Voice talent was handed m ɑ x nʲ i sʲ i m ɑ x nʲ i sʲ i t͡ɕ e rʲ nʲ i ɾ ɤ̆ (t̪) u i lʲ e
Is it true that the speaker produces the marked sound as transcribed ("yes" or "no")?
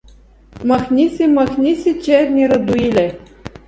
no